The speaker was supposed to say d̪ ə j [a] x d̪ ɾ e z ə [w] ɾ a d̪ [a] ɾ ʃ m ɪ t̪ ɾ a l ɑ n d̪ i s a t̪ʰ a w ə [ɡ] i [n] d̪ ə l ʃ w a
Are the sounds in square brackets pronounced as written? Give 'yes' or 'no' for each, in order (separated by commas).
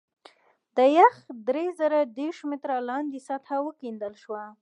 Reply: yes, no, no, no, yes